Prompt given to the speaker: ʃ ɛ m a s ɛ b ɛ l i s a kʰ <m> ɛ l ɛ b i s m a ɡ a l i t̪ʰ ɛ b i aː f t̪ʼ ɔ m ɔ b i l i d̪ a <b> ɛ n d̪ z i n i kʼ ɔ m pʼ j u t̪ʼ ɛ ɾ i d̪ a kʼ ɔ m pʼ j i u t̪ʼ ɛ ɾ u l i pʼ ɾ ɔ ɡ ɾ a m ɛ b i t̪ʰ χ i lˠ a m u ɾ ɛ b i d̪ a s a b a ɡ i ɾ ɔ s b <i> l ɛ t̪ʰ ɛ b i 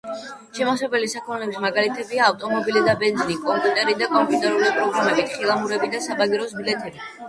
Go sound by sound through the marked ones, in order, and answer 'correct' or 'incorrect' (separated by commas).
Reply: correct, correct, correct